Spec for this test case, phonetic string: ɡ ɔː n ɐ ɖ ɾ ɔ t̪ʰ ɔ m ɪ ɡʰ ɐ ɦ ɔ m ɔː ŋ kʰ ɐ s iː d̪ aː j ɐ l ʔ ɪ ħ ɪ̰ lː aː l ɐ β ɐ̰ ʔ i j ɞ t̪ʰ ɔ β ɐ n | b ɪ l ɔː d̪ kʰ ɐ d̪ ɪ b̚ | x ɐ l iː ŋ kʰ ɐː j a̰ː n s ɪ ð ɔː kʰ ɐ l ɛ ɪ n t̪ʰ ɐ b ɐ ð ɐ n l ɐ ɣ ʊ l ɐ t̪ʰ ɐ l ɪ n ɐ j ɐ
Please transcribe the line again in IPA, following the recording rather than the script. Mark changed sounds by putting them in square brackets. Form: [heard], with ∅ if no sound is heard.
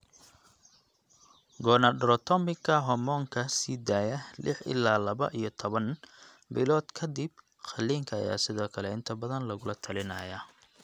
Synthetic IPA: ɡ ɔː n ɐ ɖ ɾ ɔ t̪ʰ ɔ m ɪ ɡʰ ɐ ɦ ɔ m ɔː ŋ kʰ ɐ s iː d̪ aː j ɐ l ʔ ɪ ħ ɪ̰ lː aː l ɐ β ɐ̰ ʔ i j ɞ t̪ʰ ɔ β ɐ n | b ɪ l ɔː d̪ kʰ ɐ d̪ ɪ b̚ | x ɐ l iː ŋ kʰ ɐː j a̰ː [∅] s ɪ ð ɔː kʰ ɐ l ɛ ɪ n t̪ʰ ɐ b ɐ ð ɐ n l ɐ ɣ ʊ l ɐ t̪ʰ ɐ l ɪ n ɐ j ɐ